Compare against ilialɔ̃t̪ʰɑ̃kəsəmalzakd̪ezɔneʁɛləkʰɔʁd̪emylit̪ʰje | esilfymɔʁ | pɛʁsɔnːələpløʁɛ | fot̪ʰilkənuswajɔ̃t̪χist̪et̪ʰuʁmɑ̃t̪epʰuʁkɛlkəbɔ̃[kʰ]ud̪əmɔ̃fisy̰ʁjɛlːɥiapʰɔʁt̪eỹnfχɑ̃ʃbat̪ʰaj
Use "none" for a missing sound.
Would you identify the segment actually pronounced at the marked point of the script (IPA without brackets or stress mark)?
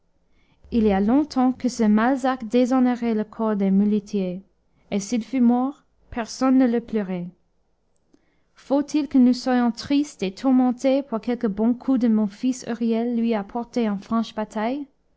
kʰ